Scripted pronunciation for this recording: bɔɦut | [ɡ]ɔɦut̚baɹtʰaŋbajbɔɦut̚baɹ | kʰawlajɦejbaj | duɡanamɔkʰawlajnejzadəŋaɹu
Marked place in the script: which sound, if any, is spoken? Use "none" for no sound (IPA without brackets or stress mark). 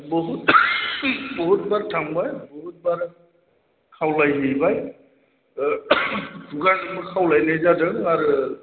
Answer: b